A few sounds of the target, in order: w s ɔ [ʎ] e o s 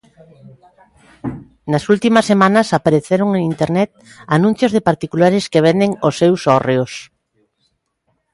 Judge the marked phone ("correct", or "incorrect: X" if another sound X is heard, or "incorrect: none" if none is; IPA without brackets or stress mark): incorrect: r